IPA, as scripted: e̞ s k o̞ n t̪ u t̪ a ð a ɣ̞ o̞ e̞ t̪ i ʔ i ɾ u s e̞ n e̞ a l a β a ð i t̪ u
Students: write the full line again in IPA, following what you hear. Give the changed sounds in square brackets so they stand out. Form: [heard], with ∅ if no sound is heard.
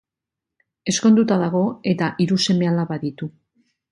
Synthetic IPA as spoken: e̞ s k o̞ n [d̪] u t̪ a ð a ɣ̞ o̞ e̞ t̪ [a] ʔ i ɾ u s e̞ [m] e̞ a l a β a ð i t̪ u

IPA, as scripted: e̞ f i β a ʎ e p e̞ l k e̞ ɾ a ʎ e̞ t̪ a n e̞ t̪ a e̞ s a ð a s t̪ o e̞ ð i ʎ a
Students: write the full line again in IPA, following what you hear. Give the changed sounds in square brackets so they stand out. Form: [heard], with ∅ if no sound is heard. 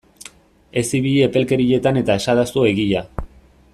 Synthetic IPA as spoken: e̞ [s] i β [i] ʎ e p e̞ l k e̞ ɾ [i] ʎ e̞ t̪ a n e̞ t̪ a e̞ s a ð a s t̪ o e̞ [ɣ] i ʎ a

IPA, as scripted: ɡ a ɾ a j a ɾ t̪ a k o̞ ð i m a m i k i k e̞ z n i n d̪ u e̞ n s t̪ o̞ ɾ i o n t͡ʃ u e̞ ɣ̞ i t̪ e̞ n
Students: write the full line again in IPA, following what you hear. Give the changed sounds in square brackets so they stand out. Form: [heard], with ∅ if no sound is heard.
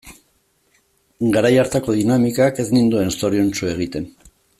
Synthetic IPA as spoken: ɡ a ɾ a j a ɾ t̪ a k o̞ ð i [n] a m i k [a] k e̞ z n i n d̪ u e̞ n s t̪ o̞ ɾ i o n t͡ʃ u e̞ ɣ̞ i t̪ e̞ n

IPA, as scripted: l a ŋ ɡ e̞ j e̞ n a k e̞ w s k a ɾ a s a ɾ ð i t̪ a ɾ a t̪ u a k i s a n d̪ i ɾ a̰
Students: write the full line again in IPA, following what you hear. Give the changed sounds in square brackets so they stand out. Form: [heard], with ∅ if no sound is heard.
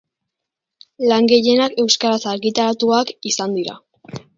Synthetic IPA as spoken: l a ŋ ɡ e̞ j e̞ n a k e̞ w s k a ɾ a s a ɾ [ɣ] i t̪ a ɾ a t̪ u a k i s a n d̪ i ɾ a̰

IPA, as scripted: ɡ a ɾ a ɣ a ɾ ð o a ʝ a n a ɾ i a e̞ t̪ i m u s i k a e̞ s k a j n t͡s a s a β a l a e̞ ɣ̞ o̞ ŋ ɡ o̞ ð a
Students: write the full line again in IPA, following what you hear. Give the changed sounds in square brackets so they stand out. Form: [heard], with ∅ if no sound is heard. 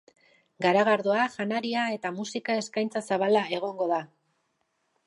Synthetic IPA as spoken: ɡ a ɾ a ɣ a ɾ ð o a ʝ a n a ɾ i a e̞ t̪ [a] m u s i k a e̞ s k a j n t͡s a s a β a l a e̞ ɣ̞ o̞ ŋ ɡ o̞ ð a

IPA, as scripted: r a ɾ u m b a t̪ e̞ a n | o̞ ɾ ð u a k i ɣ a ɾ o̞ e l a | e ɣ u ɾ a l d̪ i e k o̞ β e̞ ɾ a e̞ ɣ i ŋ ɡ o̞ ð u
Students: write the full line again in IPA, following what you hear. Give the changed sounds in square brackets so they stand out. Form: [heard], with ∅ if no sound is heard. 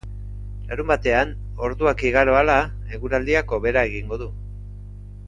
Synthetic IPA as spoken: [l] a ɾ u m b a t̪ e̞ a n | o̞ ɾ ð u a k i ɣ a ɾ o̞ [a] l a | e ɣ u ɾ a l d̪ i [a] k o̞ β e̞ ɾ a e̞ ɣ i ŋ ɡ o̞ ð u

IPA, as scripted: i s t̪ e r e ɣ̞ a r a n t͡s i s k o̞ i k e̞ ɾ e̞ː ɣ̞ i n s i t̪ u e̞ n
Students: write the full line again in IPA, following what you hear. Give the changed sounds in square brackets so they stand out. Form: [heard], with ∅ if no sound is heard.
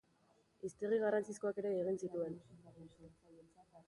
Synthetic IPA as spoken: i s t̪ e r [i] ɣ̞ a r a n t͡s i s k o̞ [a] k e̞ ɾ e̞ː ɣ̞ i n s i t̪ u e̞ n

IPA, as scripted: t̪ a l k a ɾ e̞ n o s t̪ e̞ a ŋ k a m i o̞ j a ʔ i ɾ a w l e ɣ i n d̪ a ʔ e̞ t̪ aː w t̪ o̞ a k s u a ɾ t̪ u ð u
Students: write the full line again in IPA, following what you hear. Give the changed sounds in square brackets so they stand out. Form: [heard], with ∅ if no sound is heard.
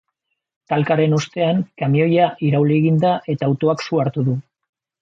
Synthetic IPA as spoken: t̪ a l k a ɾ e̞ n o s t̪ e̞ a ŋ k a m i o̞ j a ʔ i ɾ a w l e ɣ i n d̪ a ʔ e̞ t̪ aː w t̪ o̞ a k s u a ɾ t̪ u ð u

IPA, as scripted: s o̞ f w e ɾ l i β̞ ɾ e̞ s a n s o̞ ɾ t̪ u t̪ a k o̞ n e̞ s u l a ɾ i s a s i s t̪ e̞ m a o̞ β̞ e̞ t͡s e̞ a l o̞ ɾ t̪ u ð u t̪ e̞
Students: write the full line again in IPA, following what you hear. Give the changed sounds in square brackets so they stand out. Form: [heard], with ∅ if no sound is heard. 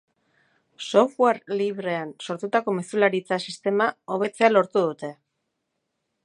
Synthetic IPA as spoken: s o̞ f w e ɾ l i β̞ ɾ e̞ [∅] a n s o̞ ɾ t̪ u t̪ a k o̞ [m] e̞ s u l a ɾ i [t͡s] a s i s t̪ e̞ m a o̞ β̞ e̞ t͡s e̞ a l o̞ ɾ t̪ u ð u t̪ e̞

